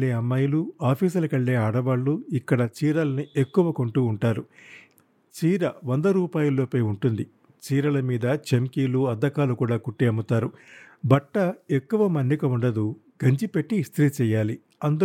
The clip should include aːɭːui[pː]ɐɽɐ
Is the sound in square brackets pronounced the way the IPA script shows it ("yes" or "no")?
no